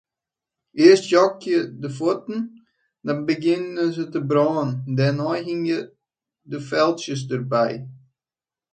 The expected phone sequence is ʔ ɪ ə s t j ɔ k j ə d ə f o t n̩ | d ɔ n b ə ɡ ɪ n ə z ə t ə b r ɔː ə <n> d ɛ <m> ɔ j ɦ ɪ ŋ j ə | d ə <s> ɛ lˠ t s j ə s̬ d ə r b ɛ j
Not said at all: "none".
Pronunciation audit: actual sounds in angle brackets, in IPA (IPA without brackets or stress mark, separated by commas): n, n, f